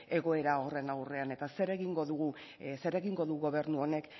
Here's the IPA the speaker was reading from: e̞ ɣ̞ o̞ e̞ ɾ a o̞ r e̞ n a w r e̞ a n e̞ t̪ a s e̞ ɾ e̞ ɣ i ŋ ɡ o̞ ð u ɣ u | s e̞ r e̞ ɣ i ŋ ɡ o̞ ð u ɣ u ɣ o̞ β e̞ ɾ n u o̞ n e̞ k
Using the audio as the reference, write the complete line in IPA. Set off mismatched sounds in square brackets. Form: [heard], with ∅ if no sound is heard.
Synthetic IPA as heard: e̞ ɣ̞ o̞ e̞ ɾ a o̞ r e̞ n a w r e̞ a n e̞ t̪ a s e̞ ɾ e̞ ɣ i ŋ ɡ o̞ ð u ɣ u | s e̞ [ɾ] e̞ ɣ i ŋ ɡ o̞ ð u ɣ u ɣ o̞ β e̞ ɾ n u o̞ n e̞ k